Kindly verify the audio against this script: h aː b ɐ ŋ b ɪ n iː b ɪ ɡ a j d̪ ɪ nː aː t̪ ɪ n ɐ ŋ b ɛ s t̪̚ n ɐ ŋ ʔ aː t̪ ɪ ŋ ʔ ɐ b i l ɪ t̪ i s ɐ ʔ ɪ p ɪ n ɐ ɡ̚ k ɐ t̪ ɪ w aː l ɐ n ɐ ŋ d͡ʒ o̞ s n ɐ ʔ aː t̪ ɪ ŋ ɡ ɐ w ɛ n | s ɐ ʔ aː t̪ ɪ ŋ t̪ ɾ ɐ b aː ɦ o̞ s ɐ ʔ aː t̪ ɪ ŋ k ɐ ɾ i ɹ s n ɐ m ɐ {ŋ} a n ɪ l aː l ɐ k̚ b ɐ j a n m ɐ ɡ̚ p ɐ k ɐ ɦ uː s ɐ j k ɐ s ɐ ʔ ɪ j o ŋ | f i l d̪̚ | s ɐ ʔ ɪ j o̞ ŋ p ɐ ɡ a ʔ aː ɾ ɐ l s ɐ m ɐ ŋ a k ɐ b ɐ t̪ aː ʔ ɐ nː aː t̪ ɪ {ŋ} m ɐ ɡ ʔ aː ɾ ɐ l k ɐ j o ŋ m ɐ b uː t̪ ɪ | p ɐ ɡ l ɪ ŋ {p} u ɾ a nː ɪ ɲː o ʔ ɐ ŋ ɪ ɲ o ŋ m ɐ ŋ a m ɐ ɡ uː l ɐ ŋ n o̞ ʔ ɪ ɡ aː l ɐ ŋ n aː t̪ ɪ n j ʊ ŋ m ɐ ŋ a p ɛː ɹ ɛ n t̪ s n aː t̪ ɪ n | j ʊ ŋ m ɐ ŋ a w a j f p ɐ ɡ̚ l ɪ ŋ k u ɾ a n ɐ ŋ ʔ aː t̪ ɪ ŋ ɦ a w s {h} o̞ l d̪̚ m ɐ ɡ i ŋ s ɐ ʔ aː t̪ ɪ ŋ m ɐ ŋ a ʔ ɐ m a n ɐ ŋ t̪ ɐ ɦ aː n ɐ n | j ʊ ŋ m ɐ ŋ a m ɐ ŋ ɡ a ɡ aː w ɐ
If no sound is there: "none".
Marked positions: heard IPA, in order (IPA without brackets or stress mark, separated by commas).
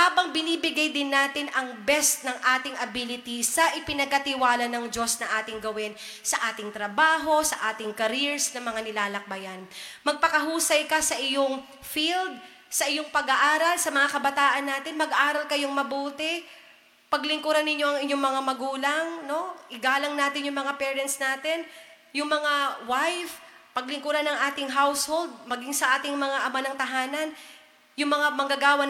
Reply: ŋ, n, k, h